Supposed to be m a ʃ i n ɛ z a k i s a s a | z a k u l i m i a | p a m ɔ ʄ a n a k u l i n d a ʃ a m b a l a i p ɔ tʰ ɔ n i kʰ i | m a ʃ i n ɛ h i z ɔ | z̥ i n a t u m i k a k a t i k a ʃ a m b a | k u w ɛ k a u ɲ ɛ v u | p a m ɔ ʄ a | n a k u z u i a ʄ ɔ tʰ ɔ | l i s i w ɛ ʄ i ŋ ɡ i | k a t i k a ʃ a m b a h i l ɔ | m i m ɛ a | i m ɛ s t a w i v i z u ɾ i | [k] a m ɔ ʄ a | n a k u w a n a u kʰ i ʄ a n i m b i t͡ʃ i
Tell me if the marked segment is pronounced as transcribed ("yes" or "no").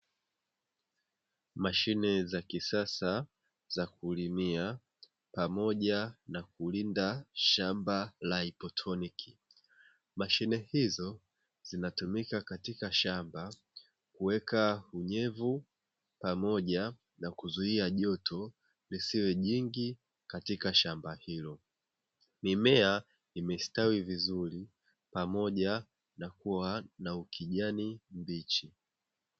no